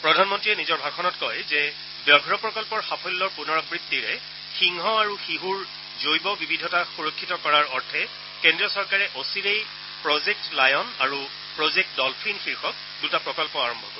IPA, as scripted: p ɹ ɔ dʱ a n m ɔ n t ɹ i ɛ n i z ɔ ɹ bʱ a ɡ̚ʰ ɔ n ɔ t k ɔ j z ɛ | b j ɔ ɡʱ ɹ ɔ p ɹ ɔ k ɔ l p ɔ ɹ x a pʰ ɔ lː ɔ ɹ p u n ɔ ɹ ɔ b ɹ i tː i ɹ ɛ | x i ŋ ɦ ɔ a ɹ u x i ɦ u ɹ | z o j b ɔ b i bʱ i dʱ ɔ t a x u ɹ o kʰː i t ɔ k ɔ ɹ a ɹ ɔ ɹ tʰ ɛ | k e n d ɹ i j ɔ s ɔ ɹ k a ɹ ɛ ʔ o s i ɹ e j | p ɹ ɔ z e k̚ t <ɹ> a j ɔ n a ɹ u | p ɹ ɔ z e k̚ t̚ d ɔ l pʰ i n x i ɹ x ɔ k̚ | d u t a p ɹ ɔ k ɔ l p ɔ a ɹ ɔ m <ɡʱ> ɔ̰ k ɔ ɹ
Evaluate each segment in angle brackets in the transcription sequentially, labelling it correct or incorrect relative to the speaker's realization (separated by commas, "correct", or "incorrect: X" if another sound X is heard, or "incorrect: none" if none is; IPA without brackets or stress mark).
incorrect: l, incorrect: bʱ